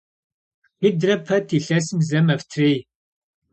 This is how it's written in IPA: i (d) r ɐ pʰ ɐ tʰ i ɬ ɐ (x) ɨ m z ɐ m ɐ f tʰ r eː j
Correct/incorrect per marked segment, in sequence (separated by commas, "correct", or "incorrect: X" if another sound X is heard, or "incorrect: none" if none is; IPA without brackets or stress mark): correct, incorrect: s